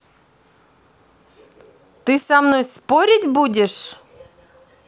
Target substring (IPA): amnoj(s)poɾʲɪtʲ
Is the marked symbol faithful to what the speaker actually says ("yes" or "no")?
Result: yes